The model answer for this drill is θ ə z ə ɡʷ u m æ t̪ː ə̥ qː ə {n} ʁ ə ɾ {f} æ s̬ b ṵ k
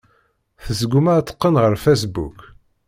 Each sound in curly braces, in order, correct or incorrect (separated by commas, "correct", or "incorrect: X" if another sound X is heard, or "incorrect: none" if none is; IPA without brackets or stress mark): correct, correct